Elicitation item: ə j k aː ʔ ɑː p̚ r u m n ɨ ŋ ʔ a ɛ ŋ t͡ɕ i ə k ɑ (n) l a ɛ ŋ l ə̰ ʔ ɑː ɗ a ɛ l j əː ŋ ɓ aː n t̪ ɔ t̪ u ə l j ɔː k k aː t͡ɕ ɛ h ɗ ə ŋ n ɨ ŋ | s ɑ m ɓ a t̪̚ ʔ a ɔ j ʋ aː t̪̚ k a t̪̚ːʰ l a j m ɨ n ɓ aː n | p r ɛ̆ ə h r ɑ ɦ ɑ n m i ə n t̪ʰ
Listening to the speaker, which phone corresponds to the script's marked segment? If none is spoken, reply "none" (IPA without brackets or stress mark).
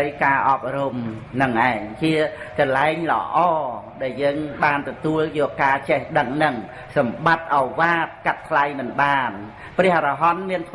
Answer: n